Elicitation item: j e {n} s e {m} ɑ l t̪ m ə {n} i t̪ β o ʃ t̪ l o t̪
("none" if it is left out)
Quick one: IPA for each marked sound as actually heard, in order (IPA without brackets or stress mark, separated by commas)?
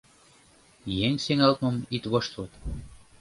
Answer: ŋ, ŋ, m